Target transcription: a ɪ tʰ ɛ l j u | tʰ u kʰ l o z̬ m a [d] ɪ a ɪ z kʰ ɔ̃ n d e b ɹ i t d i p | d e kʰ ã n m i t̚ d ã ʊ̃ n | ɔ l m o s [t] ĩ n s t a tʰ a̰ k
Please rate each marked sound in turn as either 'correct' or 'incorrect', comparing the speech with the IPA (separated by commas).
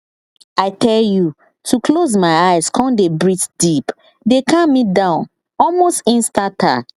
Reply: incorrect, correct